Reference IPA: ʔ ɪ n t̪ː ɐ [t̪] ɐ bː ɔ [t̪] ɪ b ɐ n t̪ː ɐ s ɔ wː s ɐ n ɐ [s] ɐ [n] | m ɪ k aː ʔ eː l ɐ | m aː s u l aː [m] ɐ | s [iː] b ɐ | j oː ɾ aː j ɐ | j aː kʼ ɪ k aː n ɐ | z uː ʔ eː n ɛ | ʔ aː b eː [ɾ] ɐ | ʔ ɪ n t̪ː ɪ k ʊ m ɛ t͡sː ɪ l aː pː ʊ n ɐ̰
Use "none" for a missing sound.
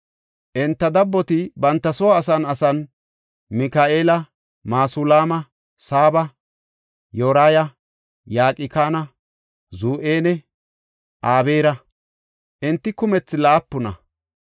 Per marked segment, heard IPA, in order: d̪, t̪, s, n, m, aː, ɾ

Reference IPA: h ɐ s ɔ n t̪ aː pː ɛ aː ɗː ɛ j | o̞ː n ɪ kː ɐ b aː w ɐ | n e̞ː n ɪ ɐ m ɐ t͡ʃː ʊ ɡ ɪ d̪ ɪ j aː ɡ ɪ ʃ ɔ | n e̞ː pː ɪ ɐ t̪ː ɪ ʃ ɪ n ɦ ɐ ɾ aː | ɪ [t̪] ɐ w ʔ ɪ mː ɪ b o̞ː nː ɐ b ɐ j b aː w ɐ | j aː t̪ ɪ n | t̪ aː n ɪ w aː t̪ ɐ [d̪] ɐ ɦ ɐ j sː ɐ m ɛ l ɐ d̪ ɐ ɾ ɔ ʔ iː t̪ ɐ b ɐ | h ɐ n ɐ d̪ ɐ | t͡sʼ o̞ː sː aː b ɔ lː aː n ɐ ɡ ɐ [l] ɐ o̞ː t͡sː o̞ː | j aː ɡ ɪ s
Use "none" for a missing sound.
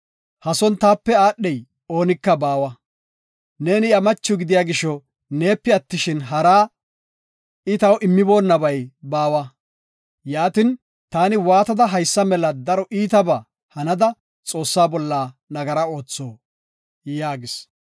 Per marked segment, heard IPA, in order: t̪, d̪, ɾ

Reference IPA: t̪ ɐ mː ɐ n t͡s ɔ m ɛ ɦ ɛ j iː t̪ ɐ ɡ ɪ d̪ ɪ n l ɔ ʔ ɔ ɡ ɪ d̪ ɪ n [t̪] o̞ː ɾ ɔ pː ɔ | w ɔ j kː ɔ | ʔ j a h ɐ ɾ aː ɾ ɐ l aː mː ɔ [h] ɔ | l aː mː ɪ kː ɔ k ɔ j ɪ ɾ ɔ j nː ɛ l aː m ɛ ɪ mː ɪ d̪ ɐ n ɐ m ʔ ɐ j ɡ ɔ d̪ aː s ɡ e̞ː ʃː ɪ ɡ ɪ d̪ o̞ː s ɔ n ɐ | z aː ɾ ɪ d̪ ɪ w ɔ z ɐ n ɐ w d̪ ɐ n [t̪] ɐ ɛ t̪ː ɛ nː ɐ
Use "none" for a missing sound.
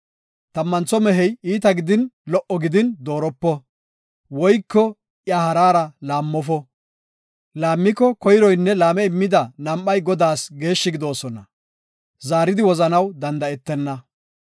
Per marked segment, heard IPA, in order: d̪, f, d̪

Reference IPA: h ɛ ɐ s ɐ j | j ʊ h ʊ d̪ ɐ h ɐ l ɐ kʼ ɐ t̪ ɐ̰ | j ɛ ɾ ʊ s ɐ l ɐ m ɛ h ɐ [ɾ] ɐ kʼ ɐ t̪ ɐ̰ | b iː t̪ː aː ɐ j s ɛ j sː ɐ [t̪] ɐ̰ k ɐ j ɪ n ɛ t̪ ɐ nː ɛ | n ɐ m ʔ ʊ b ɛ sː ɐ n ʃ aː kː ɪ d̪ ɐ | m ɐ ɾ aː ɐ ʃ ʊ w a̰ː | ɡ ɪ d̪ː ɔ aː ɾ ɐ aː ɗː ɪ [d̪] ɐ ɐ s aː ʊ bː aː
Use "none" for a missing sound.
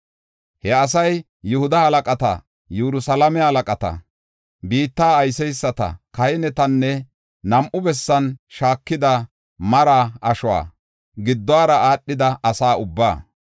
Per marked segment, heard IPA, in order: l, t̪, d̪

